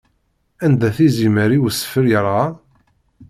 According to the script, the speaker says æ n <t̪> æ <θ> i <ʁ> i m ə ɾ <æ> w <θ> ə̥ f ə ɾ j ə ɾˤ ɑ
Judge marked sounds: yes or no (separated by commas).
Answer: no, yes, no, no, no